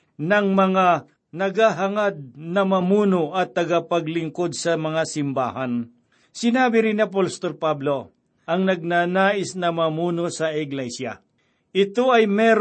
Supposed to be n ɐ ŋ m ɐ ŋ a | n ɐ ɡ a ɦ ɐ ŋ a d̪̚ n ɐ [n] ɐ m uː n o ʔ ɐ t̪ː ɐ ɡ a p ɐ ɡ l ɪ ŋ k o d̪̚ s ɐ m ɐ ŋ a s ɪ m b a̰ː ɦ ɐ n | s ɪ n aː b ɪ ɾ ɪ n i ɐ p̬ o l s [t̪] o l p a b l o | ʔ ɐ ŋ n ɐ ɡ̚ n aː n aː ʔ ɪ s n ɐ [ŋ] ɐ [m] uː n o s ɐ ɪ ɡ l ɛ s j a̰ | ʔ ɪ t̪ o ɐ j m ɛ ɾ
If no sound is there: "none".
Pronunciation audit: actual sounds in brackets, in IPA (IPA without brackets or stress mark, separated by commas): m, t̪, m, m